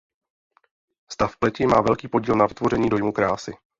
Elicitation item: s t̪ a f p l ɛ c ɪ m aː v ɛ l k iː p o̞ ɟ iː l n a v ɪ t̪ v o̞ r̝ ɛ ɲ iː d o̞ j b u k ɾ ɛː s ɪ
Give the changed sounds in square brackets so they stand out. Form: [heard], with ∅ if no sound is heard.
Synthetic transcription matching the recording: s t̪ a f p l ɛ c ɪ m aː v ɛ l k iː p o̞ ɟ iː l n a v ɪ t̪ v o̞ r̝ ɛ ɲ iː d o̞ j [m] u k ɾ [aː] s ɪ